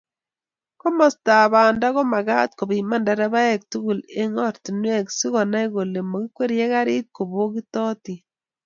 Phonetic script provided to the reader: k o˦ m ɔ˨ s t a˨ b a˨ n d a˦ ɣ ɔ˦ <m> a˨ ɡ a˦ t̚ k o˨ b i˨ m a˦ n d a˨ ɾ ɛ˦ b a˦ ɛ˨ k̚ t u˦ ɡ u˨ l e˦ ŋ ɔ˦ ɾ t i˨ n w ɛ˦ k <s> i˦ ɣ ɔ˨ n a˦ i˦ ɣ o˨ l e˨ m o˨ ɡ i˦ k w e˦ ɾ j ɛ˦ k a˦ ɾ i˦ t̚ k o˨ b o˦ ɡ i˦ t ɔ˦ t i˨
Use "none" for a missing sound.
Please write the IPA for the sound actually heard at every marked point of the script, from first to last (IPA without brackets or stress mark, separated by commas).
m, s